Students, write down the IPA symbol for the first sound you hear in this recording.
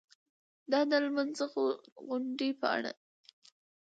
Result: d̪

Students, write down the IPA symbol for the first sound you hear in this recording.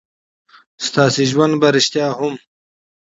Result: s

